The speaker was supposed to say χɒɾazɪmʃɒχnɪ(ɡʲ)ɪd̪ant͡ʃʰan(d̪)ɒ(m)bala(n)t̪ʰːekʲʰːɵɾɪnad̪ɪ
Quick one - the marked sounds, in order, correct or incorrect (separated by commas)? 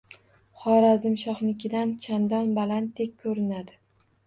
incorrect, correct, incorrect, correct